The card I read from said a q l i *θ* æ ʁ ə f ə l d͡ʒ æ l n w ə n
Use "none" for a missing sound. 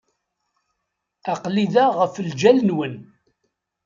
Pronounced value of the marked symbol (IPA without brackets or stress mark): ð